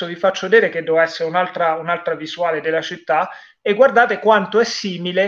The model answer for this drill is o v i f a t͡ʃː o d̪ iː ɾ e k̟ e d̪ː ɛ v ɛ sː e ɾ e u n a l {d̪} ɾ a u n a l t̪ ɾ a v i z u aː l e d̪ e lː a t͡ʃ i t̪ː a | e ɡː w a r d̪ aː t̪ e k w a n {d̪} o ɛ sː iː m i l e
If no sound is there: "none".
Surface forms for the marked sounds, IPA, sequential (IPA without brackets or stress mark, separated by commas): t̪, t̪